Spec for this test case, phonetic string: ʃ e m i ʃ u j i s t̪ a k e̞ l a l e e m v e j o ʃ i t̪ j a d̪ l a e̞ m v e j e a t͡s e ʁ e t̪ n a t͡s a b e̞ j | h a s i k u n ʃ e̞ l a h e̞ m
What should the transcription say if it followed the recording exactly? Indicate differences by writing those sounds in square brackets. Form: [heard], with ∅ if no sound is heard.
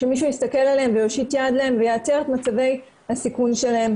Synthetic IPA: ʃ e m i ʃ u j i s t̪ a k e̞ l a l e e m v e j o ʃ i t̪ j a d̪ l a e̞ m v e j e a t͡s e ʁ e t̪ [m] a t͡s a [v] e̞ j | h a s i k u n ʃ e̞ l a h e̞ m